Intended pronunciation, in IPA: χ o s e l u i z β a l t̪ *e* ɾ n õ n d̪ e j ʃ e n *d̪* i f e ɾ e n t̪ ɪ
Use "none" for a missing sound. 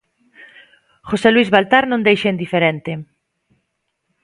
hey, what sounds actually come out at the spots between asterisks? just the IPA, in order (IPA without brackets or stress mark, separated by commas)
a, d̪